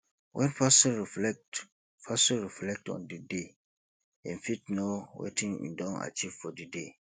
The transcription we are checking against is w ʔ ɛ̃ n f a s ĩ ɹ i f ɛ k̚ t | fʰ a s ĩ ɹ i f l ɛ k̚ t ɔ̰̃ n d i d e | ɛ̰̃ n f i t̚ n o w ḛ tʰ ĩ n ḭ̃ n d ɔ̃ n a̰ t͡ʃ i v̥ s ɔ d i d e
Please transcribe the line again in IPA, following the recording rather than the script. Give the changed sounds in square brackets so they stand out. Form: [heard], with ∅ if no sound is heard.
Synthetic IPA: w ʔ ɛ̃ n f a s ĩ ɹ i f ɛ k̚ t | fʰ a s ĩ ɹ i f l ɛ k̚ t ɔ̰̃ n d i d e | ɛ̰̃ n f i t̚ n o w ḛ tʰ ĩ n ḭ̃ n d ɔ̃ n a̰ t͡ʃ i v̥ [f] ɔ d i d e